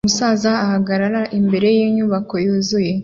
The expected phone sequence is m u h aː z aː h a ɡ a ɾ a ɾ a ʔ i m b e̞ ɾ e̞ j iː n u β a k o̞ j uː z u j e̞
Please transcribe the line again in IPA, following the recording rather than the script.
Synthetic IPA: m u s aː z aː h a ɡ a ɾ a ɾ a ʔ i m b e̞ ɾ e̞ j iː ɲ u β a k o̞ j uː z u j e̞